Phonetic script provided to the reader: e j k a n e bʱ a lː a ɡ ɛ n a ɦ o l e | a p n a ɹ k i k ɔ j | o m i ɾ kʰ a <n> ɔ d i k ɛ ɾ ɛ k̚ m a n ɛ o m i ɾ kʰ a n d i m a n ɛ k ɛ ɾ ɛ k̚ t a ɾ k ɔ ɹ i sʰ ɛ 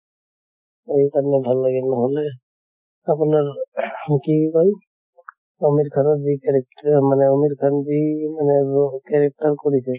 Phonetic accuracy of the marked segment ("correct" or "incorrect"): correct